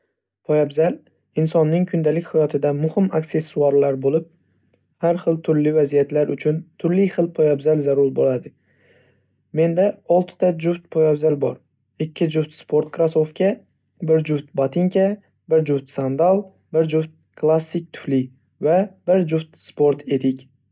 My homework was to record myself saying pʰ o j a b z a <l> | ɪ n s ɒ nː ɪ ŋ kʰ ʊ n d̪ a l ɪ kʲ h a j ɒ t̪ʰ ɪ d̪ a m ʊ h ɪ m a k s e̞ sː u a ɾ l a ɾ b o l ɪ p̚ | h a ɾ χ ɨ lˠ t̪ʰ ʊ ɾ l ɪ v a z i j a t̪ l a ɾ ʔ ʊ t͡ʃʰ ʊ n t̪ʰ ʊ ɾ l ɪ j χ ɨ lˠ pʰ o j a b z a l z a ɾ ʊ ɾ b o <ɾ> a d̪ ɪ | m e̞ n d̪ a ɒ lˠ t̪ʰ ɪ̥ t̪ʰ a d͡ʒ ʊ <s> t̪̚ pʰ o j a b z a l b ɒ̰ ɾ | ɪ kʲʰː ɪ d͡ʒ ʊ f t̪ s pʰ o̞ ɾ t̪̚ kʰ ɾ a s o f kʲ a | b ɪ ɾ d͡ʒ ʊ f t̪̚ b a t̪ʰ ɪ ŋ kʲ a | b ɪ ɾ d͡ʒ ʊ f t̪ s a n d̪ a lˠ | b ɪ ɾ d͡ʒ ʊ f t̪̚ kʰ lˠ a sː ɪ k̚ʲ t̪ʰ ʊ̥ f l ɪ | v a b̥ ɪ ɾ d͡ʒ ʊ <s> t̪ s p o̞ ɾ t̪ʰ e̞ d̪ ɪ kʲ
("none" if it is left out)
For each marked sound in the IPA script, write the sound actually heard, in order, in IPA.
l, l, f, f

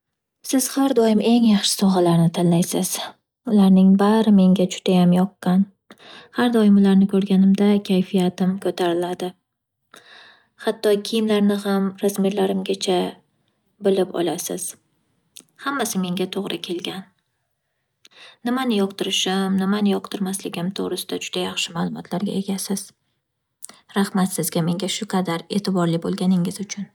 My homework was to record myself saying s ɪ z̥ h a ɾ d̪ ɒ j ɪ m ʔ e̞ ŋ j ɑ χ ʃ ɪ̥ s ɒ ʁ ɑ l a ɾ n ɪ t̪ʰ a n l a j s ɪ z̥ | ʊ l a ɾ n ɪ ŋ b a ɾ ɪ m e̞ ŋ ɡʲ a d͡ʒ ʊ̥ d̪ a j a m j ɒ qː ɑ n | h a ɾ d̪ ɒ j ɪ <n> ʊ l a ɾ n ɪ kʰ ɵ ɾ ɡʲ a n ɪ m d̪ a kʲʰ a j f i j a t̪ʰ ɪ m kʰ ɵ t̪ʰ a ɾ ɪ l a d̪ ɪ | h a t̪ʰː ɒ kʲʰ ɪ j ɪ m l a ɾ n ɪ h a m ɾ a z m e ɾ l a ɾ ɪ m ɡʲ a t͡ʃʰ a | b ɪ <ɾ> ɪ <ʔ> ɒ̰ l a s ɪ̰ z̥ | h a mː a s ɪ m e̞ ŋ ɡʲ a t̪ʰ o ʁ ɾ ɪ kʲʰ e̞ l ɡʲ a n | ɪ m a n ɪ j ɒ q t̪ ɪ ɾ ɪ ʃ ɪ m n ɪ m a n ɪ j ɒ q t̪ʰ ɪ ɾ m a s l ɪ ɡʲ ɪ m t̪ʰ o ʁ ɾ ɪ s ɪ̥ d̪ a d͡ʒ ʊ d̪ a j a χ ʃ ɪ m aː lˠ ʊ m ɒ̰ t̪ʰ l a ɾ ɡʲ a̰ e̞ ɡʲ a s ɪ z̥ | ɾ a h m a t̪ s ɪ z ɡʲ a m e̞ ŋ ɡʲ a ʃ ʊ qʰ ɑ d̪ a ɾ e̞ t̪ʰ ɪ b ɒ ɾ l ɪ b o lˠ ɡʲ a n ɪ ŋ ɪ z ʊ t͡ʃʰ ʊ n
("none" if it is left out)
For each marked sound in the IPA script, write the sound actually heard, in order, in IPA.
m, l, p

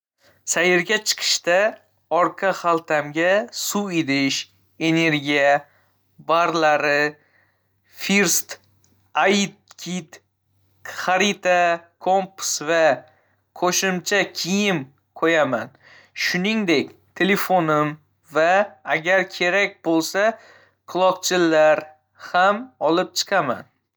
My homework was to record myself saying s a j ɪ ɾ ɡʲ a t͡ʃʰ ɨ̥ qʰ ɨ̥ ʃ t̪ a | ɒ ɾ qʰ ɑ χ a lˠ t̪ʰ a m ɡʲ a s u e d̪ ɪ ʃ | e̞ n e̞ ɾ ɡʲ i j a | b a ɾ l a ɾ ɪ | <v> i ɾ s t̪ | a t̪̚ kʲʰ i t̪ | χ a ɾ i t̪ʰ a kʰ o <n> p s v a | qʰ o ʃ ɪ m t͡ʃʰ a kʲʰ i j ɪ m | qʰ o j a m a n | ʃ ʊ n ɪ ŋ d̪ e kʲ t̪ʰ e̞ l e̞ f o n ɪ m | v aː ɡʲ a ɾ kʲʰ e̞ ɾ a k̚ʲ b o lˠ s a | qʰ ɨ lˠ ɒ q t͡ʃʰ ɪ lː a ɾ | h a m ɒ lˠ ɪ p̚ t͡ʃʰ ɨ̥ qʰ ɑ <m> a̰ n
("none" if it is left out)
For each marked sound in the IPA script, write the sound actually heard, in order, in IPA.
f, m, m

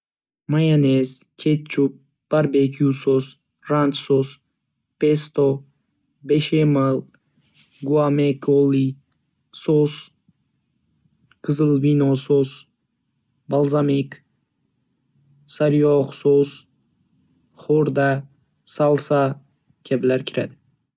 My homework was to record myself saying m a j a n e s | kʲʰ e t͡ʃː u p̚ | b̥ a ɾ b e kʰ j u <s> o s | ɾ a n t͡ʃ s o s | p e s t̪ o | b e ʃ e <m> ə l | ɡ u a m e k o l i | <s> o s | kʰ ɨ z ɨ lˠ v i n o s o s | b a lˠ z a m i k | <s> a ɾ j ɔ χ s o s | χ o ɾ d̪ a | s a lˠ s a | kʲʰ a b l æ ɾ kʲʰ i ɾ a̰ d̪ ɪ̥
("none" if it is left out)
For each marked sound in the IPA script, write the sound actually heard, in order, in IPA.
s, m, s, s

